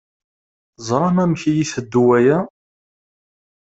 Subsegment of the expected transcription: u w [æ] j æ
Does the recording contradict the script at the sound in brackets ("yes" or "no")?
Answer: no